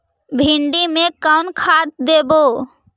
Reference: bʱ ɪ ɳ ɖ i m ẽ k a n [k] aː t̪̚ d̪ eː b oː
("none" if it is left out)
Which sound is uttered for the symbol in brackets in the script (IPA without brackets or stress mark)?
kʰ